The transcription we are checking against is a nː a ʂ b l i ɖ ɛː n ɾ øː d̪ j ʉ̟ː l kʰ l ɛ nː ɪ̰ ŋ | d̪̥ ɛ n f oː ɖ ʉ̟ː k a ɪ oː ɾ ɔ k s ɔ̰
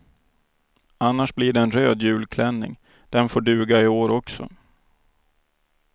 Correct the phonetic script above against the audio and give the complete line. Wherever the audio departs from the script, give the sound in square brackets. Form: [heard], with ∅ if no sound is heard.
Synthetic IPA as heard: a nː a ʂ b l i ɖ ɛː n ɾ øː d̪ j ʉ̟ː l kʰ l ɛ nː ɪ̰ ŋ | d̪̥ ɛ n f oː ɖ ʉ̟ː [ɡ] a ɪ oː ɾ ɔ k s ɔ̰